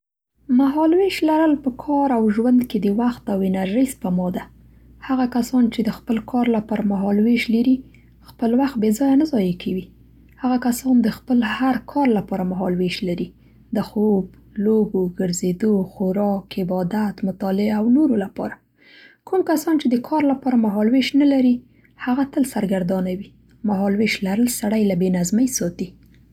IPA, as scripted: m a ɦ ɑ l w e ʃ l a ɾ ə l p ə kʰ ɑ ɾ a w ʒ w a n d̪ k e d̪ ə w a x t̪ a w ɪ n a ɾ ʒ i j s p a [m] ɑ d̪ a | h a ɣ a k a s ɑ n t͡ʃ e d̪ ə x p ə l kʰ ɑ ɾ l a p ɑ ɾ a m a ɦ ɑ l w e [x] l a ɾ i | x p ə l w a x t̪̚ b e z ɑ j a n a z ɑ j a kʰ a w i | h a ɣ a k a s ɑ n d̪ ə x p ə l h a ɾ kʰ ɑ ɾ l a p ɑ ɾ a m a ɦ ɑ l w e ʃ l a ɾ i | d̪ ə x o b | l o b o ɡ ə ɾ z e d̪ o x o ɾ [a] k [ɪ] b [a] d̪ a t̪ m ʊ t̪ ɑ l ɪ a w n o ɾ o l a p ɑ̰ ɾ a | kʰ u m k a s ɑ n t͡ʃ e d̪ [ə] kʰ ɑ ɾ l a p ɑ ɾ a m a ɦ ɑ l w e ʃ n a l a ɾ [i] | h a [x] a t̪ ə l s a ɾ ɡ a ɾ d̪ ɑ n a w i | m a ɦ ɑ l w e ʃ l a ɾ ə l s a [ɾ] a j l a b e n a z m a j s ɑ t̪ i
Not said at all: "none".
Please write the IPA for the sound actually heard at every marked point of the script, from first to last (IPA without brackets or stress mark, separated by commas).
m, ʃ, ɑ, ɪ, ɑ, ə, i, ɣ, ɽ